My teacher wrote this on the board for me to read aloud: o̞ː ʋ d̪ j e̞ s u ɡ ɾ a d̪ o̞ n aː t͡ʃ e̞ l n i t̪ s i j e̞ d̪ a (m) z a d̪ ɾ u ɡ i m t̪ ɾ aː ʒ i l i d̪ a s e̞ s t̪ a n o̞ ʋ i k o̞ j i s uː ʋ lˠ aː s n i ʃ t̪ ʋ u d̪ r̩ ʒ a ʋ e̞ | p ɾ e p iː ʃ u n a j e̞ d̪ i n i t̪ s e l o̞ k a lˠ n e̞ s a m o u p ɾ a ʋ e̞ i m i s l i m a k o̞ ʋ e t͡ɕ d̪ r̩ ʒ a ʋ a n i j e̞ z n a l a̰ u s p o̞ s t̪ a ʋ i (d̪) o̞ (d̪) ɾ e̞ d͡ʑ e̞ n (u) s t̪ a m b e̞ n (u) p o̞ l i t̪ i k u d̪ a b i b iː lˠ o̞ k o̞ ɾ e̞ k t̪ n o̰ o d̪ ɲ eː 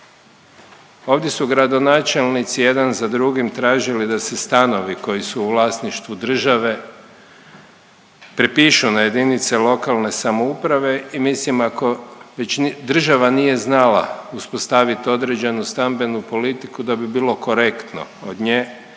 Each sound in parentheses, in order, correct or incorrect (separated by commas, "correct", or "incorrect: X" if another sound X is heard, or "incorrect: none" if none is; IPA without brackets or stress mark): incorrect: n, incorrect: t̪, correct, correct, correct